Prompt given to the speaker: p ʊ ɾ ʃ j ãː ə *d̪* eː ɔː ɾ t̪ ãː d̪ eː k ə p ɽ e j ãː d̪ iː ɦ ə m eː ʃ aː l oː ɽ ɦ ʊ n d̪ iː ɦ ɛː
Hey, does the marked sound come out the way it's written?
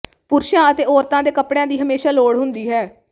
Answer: no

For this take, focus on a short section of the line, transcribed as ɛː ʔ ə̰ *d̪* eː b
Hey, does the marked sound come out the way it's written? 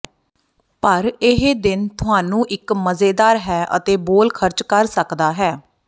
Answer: no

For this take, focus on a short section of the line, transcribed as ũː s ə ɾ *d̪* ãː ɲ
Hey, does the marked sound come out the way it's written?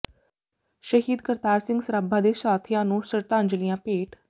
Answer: no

